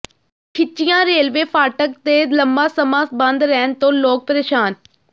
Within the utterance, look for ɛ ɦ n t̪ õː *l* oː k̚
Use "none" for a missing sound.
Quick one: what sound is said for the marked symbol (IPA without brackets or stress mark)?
l